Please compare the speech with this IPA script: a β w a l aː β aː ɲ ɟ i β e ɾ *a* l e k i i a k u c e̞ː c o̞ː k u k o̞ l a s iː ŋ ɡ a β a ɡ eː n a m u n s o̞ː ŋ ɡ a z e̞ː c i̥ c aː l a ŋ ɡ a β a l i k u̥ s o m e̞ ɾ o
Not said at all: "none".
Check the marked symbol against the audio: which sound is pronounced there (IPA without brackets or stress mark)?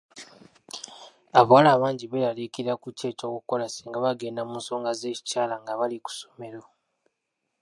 a